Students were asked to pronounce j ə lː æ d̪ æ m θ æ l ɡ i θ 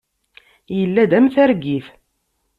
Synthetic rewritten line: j ə lː æ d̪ æ m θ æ ɾ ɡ i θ